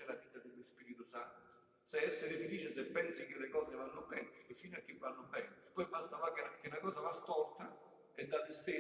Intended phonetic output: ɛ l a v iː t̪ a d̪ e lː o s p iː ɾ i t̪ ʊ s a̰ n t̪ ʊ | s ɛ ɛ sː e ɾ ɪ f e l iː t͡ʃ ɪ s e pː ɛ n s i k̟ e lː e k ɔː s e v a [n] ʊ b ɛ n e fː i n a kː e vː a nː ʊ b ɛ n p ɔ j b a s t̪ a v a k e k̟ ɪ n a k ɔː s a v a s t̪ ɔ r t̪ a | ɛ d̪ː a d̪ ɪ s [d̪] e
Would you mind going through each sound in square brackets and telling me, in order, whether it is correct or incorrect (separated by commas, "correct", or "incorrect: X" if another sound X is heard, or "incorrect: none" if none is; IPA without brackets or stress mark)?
incorrect: nː, incorrect: t̪